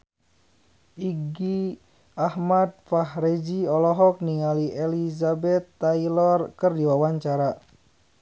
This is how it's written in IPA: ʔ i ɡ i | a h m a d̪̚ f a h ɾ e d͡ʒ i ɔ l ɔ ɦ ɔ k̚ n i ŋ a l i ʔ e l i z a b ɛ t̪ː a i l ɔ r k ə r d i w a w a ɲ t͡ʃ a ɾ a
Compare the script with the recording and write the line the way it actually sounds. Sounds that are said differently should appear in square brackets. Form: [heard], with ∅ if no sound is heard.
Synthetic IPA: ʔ i ɡ i | a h m a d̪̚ f a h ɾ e d͡ʒ i ɔ l ɔ ɦ ɔ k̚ n i ŋ a l i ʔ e l i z a b ɛ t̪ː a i l ɔ r k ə r d i w a w a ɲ t͡ʃ a ɾ a